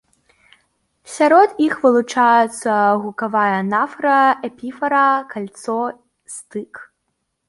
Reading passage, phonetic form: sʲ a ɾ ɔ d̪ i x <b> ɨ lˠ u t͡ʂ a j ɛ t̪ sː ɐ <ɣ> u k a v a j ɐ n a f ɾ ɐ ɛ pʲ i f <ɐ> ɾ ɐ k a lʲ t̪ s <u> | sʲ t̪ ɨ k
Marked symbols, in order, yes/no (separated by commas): no, yes, yes, no